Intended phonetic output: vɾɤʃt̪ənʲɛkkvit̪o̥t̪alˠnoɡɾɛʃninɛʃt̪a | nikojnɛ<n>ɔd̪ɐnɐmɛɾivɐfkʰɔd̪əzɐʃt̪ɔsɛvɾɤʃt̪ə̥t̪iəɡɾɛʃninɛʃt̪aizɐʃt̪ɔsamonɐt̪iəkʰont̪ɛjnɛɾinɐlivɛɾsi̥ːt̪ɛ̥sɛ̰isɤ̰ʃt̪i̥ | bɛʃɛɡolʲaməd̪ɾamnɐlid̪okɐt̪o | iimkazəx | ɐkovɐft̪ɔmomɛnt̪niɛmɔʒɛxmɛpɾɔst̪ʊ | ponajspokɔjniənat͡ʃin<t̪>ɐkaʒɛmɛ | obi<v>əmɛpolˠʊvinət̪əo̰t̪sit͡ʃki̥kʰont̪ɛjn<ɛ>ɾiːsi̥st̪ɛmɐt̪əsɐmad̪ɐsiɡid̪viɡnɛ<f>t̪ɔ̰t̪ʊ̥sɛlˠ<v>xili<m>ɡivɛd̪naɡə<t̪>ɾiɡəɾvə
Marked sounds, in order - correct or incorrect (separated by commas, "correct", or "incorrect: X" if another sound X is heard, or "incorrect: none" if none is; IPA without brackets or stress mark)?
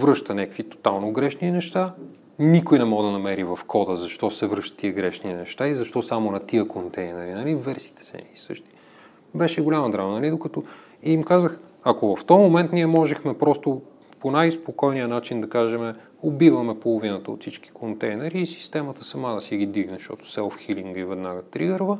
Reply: incorrect: m, incorrect: d̪, correct, correct, incorrect: ʃ, incorrect: f, incorrect: ŋ, correct